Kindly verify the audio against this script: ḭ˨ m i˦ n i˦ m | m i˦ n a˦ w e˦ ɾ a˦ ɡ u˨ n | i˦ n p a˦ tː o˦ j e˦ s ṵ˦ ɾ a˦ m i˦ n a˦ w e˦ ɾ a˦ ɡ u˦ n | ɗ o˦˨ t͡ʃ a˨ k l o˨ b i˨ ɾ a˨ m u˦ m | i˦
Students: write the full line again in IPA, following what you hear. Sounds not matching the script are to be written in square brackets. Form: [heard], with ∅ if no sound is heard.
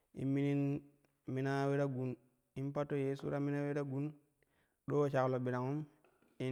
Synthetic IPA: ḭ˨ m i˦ n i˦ [n] | m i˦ n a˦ w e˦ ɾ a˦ ɡ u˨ n | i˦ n p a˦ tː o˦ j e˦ s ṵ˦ ɾ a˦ m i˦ n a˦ w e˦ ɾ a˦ ɡ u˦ n | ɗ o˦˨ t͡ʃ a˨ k l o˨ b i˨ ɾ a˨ [ŋ] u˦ m | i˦